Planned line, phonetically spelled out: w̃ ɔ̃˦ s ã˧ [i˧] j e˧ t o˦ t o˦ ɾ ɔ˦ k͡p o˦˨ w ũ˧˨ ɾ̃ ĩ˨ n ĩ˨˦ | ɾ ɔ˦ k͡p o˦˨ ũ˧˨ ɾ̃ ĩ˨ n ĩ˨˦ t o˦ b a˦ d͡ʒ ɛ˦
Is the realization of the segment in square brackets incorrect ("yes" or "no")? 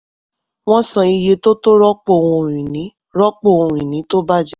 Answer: no